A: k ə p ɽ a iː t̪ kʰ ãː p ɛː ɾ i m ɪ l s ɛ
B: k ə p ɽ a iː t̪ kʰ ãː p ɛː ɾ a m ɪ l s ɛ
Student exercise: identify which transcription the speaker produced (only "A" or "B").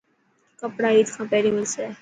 A